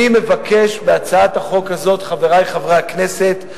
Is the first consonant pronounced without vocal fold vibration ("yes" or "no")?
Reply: no